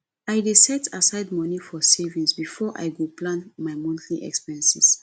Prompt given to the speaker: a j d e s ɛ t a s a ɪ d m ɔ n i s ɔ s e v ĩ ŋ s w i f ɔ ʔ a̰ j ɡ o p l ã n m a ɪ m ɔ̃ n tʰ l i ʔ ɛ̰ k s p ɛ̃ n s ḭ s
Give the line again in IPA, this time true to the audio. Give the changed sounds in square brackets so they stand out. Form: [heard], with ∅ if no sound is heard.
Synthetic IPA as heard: a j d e s ɛ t a s a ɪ d m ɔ n i [f] ɔ s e v ĩ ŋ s [b] i f ɔ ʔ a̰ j ɡ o p l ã n m a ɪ m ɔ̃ n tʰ l i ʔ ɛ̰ k s p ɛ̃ n s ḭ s